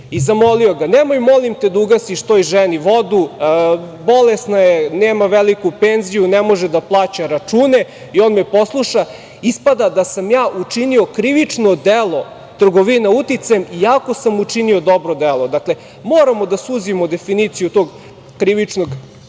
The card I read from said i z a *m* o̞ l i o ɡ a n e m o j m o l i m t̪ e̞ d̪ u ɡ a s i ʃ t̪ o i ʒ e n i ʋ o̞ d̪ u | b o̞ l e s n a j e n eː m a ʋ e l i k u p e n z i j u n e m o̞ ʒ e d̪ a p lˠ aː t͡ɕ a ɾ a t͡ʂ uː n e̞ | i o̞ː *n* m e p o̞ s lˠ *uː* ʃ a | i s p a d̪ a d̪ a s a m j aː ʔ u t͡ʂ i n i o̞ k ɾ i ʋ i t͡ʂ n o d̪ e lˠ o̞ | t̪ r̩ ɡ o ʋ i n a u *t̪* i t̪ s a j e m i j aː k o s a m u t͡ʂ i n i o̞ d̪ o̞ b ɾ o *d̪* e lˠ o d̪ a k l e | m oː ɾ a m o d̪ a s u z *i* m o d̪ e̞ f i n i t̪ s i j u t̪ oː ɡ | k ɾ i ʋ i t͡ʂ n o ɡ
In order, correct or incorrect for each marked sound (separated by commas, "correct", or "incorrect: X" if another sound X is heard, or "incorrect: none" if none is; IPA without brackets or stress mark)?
correct, correct, incorrect: u, correct, correct, correct